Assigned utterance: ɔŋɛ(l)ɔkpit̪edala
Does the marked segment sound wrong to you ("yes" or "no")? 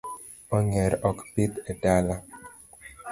yes